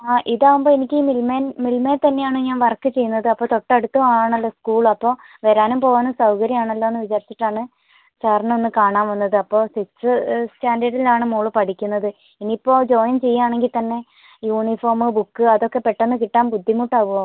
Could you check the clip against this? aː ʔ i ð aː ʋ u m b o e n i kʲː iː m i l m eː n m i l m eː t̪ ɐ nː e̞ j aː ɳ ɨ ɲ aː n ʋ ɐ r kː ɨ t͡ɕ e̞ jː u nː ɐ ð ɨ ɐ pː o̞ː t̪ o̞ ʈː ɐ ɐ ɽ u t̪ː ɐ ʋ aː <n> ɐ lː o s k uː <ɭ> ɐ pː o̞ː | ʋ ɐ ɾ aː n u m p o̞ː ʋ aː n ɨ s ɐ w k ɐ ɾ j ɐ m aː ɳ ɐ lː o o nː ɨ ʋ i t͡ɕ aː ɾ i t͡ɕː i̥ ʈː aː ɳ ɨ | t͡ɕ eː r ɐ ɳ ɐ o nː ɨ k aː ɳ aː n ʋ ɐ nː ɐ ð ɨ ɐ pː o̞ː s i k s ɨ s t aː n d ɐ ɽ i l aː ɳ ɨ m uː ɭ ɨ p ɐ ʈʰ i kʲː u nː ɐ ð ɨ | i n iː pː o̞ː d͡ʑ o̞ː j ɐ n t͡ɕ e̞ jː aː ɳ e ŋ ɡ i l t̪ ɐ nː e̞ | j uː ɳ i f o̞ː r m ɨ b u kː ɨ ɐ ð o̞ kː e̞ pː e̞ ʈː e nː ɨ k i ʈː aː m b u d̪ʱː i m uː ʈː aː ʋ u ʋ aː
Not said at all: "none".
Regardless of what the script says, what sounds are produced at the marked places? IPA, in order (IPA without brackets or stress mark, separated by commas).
ɳ, ɭ